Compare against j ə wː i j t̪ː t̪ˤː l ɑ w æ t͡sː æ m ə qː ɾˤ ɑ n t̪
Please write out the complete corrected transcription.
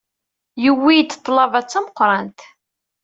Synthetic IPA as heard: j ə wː i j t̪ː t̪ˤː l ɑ v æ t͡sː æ m ə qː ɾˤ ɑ n t̪